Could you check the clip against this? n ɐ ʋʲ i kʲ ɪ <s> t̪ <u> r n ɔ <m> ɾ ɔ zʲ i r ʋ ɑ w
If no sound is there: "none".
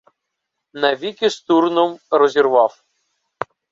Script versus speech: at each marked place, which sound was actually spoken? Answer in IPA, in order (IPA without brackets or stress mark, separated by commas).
s, u, m